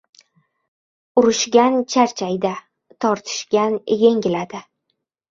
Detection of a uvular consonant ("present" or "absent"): absent